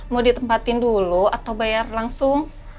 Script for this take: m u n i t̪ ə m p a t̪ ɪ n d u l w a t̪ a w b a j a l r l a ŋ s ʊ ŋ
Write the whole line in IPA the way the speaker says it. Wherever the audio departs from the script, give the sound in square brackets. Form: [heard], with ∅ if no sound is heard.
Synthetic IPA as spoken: m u [d] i t̪ ə m p a t̪ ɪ n d u l [u] a t̪ a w b a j a [∅] r l a ŋ s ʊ ŋ